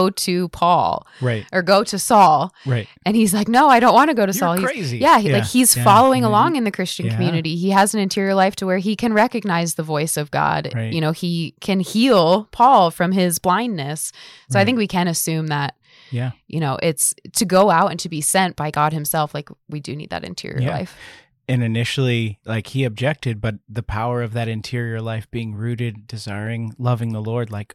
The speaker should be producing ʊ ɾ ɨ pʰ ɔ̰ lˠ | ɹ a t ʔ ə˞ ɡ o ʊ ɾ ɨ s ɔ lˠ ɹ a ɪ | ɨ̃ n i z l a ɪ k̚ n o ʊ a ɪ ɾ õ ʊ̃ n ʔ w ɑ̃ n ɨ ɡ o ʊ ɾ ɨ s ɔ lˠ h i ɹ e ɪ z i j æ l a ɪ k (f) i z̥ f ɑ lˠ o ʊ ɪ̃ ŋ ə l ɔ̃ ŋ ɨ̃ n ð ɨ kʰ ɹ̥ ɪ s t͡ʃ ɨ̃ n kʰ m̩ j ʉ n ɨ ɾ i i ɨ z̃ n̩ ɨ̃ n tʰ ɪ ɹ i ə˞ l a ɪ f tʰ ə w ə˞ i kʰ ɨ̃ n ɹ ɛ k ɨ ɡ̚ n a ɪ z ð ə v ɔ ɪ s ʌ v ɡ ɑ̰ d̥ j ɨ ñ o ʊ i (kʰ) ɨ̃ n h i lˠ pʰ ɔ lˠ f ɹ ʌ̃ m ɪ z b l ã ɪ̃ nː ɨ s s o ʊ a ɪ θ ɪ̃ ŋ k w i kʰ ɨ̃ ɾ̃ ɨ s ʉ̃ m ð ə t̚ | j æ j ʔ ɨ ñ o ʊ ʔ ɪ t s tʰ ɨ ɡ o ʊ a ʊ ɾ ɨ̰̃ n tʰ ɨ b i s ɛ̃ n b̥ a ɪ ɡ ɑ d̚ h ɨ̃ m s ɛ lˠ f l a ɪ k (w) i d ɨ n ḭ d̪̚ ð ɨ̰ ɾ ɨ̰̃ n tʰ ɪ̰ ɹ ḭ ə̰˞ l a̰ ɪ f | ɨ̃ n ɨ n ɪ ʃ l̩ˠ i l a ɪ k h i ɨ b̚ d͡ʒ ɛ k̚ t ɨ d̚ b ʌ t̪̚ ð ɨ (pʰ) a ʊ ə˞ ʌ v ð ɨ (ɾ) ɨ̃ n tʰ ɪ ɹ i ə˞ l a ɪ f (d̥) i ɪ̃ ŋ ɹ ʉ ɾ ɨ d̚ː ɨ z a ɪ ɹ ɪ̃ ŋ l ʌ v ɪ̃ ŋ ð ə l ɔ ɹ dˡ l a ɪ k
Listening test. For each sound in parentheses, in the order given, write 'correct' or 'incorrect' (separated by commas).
incorrect, correct, correct, correct, correct, incorrect